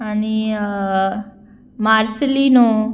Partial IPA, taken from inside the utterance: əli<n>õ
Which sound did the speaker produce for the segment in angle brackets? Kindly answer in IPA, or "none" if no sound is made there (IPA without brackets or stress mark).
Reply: n